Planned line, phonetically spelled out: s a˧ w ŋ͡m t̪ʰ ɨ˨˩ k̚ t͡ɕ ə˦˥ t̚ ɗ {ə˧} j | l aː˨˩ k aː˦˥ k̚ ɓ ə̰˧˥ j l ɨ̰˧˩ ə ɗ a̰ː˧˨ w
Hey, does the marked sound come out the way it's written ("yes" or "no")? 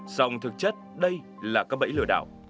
yes